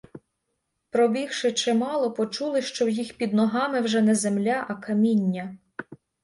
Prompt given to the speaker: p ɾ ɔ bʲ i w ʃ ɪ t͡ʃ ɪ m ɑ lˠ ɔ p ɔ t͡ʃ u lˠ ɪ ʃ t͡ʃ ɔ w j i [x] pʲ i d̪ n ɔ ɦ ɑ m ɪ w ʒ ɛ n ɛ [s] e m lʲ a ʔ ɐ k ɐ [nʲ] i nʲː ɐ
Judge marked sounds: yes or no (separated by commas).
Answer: yes, no, no